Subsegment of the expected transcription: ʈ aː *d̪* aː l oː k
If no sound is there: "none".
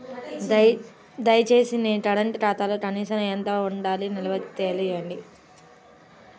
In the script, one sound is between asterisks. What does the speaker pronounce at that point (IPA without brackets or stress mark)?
t̪